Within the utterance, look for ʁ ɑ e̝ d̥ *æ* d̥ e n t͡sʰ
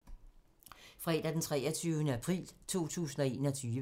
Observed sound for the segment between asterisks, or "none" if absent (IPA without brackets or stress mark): æ